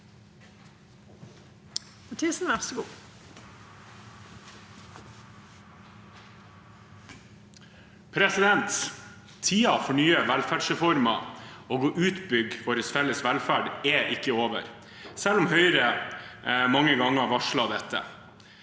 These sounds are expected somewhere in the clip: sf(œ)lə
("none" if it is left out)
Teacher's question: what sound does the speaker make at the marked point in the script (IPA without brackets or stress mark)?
ɛ